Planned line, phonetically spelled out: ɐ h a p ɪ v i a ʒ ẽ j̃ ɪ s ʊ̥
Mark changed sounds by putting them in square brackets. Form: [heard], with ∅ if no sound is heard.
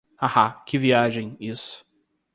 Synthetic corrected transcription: [a] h a [k] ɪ v i a ʒ ẽ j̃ [i] s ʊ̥